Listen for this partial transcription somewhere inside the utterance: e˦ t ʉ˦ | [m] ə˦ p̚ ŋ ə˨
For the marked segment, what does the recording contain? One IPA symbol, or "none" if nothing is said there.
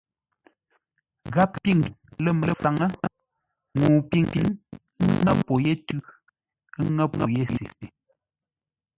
ŋ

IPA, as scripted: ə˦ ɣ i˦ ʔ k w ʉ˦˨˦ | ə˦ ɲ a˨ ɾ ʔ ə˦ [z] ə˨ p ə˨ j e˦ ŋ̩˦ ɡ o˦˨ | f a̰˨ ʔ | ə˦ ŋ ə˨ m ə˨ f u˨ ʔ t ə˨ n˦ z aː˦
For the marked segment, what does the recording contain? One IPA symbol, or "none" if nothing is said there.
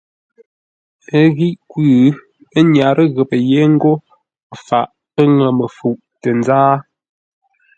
ɣ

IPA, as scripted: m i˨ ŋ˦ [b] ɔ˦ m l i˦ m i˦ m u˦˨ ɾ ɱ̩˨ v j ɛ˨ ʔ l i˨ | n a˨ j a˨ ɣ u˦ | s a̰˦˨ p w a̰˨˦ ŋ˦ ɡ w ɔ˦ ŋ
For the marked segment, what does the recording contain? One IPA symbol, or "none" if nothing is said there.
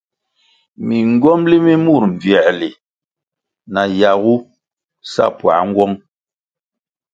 ɡ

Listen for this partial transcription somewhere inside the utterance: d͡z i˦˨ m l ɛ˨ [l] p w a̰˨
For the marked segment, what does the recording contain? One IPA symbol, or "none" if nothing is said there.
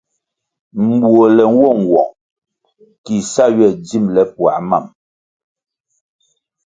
none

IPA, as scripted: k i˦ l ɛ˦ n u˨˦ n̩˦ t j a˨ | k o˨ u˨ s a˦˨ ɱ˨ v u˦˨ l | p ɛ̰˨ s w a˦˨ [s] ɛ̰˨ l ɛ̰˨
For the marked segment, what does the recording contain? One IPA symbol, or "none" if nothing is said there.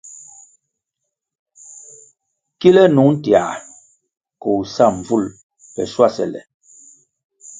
s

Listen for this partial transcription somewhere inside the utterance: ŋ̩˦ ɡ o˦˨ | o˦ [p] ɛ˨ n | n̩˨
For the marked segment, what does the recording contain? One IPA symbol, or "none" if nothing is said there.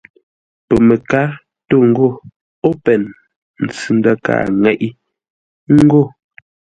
p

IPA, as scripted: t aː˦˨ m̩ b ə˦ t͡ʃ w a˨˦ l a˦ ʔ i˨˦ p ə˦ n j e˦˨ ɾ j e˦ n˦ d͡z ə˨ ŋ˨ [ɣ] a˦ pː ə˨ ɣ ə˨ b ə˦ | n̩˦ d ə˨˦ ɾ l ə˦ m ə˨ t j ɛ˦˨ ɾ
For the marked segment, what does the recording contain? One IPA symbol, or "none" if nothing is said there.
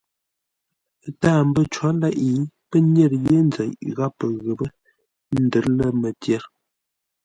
ɣ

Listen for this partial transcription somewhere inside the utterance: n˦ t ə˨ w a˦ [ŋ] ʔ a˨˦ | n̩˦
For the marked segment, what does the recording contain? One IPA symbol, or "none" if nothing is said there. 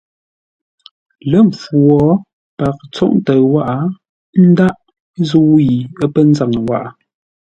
none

